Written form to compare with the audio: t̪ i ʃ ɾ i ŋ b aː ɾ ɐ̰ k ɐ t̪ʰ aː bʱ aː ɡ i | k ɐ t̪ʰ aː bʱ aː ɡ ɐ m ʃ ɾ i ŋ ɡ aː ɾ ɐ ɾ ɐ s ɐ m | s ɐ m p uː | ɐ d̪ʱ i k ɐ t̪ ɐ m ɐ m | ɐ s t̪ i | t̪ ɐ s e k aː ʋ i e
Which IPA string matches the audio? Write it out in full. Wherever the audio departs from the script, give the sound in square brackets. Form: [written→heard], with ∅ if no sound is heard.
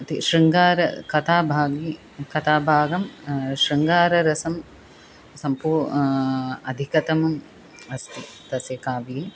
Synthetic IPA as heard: t̪ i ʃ ɾ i ŋ [b→ɡ] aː ɾ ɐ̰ k ɐ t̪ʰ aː bʱ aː ɡ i | k ɐ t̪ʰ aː bʱ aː ɡ ɐ m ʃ ɾ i ŋ ɡ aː ɾ ɐ ɾ ɐ s ɐ m | s ɐ m p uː | ɐ d̪ʱ i k ɐ t̪ ɐ m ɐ m | ɐ s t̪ i | t̪ ɐ s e k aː ʋ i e